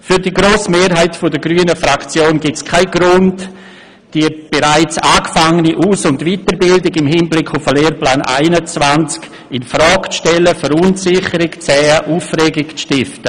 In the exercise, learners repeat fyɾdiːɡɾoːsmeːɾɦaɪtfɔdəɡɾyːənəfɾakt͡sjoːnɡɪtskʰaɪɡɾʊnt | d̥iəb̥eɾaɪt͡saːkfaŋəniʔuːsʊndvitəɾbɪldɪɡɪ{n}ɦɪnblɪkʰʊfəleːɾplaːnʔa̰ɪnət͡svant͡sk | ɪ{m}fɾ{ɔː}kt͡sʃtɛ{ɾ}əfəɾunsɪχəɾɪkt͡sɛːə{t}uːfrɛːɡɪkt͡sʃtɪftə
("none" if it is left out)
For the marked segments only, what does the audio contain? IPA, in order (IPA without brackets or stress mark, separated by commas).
m, n, ɔː, l, ʔ